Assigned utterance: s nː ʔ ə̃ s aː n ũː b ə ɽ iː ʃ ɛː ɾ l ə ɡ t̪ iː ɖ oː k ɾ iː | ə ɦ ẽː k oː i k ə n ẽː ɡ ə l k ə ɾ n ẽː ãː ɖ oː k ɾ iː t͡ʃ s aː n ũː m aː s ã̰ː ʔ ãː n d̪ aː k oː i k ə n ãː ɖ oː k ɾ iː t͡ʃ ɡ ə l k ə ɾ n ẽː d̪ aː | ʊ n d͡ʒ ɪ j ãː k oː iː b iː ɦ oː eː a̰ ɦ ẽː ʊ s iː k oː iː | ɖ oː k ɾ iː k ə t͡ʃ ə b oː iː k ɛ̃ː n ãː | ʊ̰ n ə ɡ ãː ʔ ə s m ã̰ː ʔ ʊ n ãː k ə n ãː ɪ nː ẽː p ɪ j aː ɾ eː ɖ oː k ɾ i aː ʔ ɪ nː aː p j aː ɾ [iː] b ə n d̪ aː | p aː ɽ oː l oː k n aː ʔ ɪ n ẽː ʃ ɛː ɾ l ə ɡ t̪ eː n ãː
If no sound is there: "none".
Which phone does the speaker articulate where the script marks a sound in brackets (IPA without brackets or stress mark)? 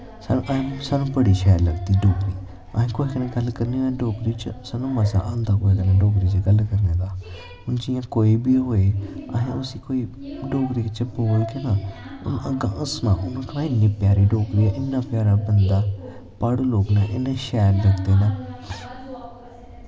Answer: aː